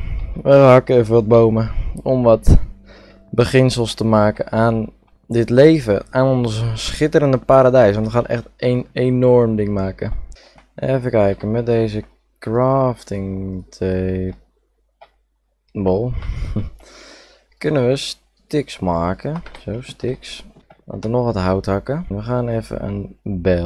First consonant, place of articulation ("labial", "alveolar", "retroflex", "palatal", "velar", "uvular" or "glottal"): labial